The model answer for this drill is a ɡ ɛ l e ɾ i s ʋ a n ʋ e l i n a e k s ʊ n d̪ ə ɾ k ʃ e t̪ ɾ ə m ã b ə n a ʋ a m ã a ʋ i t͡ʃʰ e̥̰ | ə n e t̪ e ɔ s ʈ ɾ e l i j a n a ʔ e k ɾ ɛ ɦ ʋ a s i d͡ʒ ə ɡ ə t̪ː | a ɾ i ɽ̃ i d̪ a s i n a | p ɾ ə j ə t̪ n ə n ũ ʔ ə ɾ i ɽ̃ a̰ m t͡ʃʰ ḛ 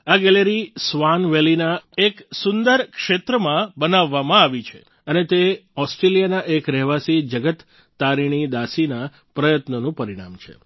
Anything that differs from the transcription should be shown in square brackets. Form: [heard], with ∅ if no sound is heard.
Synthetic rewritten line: a ɡ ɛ l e ɾ i s ʋ a n ʋ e l i n a e k s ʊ n d̪ ə ɾ k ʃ e t̪ ɾ ə m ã b ə n a [ʋː] a m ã a ʋ i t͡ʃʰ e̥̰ | ə n e t̪ e ɔ s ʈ ɾ e l i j a n a ʔ e k ɾ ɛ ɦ ʋ a s i d͡ʒ ə ɡ ə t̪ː | a ɾ i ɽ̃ i d̪ a s i n a | p ɾ ə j ə t̪ n ə n ũ [p] ə ɾ i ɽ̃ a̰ m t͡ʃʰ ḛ